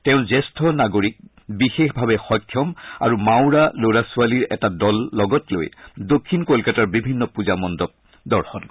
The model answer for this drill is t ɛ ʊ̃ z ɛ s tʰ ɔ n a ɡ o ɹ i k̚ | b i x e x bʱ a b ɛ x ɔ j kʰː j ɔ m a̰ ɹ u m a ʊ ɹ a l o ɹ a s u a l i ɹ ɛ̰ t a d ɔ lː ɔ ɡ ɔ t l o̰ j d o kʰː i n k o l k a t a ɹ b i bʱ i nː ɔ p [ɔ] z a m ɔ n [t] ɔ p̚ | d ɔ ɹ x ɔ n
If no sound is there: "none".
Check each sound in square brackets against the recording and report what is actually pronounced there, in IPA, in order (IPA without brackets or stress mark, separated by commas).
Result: u, d